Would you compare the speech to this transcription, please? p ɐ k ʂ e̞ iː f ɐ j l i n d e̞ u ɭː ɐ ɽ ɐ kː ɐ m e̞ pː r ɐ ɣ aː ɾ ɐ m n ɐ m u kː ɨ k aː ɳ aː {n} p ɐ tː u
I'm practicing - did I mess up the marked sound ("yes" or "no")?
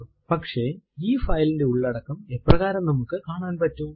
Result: no